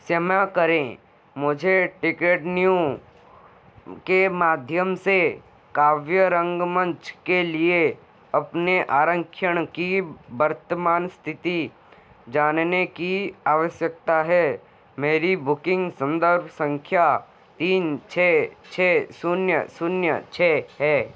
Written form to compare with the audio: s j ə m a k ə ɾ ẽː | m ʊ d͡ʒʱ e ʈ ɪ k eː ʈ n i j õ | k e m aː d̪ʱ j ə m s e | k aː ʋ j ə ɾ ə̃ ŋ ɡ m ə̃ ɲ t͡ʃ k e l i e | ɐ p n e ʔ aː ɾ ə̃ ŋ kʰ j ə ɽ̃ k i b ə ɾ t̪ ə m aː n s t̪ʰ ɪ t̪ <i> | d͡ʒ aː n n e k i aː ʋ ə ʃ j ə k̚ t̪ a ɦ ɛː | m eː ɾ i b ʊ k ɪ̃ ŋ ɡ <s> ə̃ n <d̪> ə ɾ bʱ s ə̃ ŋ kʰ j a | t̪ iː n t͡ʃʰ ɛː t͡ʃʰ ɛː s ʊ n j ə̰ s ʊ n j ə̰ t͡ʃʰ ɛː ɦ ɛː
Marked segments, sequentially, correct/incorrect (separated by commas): correct, correct, correct